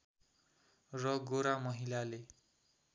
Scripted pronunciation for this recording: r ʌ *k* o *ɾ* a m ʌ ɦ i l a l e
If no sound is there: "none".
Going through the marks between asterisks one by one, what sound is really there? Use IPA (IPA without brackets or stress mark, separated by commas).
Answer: ɡ, ɾ